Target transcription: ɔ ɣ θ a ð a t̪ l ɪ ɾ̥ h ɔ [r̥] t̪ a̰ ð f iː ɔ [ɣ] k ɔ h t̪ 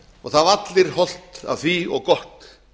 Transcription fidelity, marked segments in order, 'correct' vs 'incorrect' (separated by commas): incorrect, correct